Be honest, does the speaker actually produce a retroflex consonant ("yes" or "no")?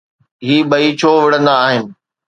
yes